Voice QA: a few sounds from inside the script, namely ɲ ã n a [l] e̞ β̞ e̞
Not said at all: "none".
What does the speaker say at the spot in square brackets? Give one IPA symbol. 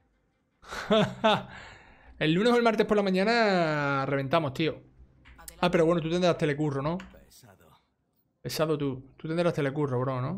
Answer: r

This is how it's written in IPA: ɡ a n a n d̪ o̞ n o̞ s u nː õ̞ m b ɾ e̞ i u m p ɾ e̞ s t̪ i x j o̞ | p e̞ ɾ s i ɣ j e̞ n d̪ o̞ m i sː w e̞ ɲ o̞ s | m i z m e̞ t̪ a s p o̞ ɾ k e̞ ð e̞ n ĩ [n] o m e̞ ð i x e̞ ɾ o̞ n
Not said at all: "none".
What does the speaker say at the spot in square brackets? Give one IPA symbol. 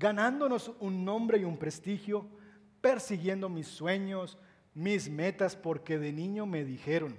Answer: ɲ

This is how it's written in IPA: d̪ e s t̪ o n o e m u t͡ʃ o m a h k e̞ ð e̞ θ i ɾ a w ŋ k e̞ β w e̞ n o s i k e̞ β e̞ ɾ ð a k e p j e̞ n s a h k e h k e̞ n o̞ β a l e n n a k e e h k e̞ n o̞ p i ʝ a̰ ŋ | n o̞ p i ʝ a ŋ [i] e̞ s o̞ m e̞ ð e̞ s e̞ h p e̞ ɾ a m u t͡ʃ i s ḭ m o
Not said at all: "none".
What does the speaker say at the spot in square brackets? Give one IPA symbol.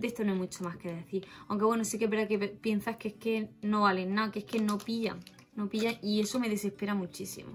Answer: i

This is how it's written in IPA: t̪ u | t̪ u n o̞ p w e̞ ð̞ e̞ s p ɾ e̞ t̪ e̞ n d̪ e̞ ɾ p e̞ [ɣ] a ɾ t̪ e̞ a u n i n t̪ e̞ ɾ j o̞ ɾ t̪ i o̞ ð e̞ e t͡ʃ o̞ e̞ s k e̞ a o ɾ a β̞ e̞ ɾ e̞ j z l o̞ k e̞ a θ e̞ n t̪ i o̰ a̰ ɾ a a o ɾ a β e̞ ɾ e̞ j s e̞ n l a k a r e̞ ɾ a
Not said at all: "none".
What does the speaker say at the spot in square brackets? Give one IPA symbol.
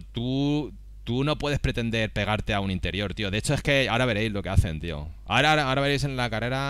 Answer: ɣ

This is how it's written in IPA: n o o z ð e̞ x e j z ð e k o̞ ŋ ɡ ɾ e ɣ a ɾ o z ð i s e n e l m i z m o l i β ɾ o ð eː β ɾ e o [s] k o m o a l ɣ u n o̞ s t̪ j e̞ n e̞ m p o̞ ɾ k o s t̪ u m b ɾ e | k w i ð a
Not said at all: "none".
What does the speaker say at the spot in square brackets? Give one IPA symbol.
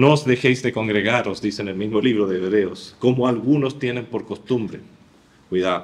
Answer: s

